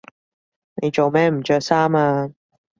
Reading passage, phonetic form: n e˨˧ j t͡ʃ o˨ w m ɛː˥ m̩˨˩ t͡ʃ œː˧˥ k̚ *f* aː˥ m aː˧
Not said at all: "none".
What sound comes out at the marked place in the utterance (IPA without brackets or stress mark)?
s